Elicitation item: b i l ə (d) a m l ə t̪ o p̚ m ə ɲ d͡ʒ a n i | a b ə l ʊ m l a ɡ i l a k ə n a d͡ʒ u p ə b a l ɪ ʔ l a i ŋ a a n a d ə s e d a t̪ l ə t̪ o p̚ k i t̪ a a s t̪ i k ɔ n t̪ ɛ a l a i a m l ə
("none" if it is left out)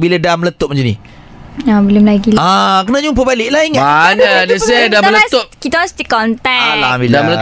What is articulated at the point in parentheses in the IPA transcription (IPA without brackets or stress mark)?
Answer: d